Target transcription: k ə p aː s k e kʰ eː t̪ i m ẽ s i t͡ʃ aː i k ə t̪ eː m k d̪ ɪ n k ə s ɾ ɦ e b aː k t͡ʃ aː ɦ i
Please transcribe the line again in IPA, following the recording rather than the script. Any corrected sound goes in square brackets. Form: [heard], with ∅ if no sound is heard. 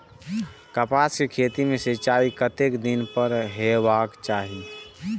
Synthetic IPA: k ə p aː s k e kʰ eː t̪ i m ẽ s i t͡ʃ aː i k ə t̪ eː [∅] k d̪ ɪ n [p] ə [∅] ɾ ɦ e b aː k t͡ʃ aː ɦ i